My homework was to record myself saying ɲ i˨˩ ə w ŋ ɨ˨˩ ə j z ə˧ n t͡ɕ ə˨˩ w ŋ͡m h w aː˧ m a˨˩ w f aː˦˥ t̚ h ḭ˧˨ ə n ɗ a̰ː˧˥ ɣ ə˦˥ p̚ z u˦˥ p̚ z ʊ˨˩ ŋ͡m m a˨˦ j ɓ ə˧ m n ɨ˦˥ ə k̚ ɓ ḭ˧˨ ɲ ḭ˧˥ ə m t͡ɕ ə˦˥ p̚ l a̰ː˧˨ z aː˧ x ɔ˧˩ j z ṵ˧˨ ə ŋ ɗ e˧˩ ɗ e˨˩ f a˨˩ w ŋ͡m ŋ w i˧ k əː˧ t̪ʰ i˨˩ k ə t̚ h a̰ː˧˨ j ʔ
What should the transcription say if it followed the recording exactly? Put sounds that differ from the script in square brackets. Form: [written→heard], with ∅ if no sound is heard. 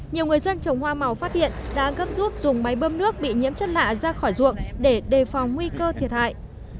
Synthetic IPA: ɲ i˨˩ ə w ŋ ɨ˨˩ ə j z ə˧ n t͡ɕ ə˨˩ w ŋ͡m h w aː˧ m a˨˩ w f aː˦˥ t̚ h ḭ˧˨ ə n ɗ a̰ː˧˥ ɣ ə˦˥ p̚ z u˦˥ [p̚→t̚] z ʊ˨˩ ŋ͡m m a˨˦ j ɓ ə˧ m n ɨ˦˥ ə k̚ ɓ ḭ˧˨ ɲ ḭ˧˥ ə m t͡ɕ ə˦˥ [p̚→t̚] l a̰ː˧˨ z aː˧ x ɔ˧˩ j z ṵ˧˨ ə ŋ ɗ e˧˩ ɗ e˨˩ f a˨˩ w ŋ͡m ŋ w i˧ k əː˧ t̪ʰ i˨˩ [k→∅] ə t̚ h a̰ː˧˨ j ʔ